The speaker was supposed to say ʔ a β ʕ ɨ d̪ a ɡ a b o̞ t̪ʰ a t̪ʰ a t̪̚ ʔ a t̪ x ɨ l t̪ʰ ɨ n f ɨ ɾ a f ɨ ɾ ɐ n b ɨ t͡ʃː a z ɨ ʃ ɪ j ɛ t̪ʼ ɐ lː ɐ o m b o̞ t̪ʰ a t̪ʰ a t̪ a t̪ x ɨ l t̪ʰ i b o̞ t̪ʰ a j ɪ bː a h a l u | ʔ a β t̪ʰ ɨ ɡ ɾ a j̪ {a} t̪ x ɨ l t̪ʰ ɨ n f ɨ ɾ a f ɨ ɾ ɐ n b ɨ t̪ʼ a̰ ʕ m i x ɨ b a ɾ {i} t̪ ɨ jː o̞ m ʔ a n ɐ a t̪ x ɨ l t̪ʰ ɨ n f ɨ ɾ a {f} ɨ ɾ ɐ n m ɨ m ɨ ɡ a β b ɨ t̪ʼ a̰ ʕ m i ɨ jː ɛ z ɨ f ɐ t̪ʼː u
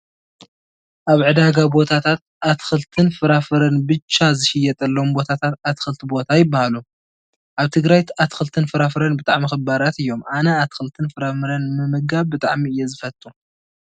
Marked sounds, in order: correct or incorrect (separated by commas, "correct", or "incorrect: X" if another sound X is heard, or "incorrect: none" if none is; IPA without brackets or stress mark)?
correct, incorrect: a, correct